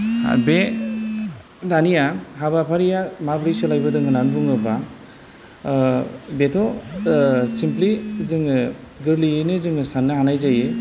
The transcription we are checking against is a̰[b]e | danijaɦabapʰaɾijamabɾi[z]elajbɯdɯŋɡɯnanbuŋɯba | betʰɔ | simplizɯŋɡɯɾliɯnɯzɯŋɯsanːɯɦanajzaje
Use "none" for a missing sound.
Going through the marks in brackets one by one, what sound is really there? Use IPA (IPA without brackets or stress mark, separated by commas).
b, s